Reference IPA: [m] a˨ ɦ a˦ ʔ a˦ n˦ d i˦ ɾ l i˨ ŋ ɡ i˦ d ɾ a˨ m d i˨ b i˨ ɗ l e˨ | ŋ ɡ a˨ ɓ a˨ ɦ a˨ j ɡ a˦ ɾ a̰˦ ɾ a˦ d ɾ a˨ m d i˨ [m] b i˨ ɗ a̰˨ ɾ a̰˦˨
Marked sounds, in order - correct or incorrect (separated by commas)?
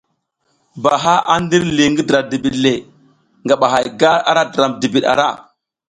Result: incorrect, incorrect